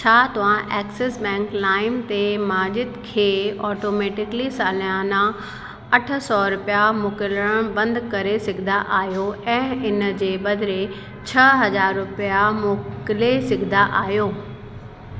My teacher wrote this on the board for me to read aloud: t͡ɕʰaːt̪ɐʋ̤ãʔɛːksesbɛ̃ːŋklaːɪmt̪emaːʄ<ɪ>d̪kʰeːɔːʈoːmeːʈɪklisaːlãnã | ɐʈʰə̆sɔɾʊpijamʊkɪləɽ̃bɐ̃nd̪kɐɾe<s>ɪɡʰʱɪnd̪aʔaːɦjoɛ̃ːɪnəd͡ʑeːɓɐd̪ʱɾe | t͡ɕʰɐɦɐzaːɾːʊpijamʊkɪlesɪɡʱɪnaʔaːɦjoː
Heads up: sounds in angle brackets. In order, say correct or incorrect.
correct, correct

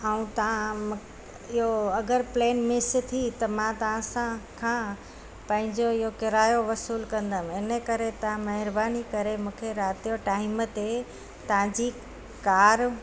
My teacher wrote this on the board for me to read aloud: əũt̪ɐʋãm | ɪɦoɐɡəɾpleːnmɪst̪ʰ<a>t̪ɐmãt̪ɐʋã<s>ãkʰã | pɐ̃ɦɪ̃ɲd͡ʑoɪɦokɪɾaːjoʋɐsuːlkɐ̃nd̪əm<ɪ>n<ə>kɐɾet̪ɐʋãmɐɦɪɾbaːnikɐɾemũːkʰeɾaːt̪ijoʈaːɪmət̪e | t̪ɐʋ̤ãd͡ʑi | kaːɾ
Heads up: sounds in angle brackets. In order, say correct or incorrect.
incorrect, correct, correct, correct

